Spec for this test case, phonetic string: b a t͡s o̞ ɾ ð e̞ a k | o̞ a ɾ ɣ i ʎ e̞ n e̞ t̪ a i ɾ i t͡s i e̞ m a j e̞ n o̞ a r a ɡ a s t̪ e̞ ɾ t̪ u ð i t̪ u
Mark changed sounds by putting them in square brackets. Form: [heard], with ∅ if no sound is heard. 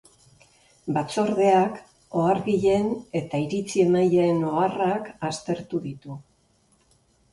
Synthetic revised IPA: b a t͡s o̞ ɾ ð e̞ a k | o̞ a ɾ ɣ i ʎ e̞ n e̞ t̪ a i ɾ i t͡s i e̞ m a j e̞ n o̞ a r a [k] a s t̪ e̞ ɾ t̪ u ð i t̪ u